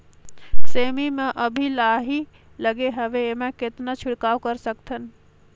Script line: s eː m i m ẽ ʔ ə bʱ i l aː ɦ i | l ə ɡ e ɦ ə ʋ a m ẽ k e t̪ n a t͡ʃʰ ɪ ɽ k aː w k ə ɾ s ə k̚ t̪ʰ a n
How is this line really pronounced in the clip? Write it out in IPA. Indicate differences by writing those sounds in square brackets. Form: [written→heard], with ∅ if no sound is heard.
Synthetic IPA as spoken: s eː m i m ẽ ʔ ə bʱ i l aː ɦ i | l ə ɡ e ɦ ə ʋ [a→e] m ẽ k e t̪ n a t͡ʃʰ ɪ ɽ k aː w k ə ɾ s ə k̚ t̪ʰ [a→ə] n